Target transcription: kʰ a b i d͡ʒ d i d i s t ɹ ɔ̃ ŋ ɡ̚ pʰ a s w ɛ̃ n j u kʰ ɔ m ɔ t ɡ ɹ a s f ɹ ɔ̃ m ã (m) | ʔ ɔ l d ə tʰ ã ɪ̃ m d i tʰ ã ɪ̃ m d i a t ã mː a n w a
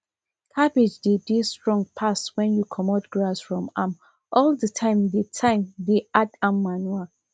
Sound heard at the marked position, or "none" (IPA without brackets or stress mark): m